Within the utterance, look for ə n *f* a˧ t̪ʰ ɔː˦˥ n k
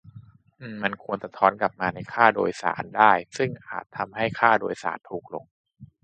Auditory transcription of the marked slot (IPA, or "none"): s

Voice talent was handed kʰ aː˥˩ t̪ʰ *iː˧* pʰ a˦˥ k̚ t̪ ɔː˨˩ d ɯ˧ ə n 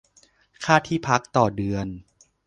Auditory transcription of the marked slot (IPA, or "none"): iː˥˩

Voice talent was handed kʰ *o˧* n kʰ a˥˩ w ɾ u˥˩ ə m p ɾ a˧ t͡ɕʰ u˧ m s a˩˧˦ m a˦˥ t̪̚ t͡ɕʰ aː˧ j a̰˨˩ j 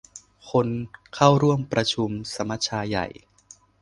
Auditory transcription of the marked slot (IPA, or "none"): o˧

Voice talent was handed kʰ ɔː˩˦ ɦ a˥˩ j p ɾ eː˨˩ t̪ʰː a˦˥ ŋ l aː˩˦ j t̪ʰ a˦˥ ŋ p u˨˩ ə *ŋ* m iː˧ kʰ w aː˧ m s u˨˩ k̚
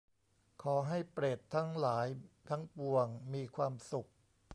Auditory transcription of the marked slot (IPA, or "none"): ŋ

